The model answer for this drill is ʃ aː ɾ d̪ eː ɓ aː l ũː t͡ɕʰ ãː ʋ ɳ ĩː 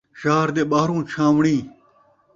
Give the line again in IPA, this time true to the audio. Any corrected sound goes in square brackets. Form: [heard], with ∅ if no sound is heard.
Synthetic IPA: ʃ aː ɾ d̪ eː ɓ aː [ɾ] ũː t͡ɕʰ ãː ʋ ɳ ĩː